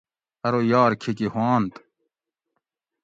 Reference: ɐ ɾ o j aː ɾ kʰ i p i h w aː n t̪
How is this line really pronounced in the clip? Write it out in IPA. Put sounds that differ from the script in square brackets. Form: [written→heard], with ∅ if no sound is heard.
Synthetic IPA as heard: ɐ ɾ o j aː ɾ kʰ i [p→k] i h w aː n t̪